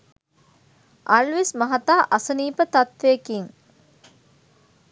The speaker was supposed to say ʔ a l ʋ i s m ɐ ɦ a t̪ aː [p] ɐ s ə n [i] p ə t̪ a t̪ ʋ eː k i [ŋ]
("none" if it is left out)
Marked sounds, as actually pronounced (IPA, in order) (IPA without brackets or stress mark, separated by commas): ʔ, iː, ŋ